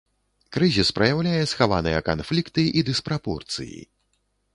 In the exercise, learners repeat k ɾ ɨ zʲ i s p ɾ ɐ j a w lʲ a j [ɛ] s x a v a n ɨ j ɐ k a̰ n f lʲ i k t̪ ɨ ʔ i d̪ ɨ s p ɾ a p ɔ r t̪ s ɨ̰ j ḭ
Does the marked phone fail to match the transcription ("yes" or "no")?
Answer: no